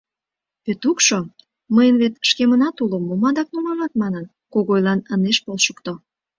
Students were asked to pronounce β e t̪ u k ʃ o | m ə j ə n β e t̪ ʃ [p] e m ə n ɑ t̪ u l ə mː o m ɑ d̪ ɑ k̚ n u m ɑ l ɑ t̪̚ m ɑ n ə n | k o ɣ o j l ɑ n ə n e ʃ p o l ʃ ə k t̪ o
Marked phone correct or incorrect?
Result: incorrect